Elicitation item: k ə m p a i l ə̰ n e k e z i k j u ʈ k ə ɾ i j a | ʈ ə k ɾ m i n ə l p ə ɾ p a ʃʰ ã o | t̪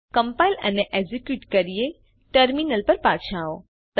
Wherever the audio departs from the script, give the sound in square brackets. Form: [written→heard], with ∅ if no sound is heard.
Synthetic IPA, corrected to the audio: k ə m p a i l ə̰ n e [k→ʔ] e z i k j u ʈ k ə ɾ i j [a→e] | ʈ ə [k→∅] ɾ m i n ə l p ə ɾ p a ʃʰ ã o | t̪